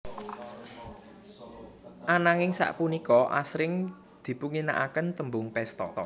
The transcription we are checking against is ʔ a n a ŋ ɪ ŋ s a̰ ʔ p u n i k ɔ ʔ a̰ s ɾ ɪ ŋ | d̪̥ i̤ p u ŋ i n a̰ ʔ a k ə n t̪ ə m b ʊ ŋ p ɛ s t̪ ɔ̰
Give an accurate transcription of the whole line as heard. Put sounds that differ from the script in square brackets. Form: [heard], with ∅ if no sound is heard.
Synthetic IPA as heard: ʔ a n a ŋ ɪ ŋ s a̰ ʔ p u n i k ɔ ʔ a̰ s ɾ ɪ ŋ | d̪̥ i̤ p u ŋ i n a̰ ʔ a k ə n t̪ ə m b ʊ ŋ p ɛ s t̪ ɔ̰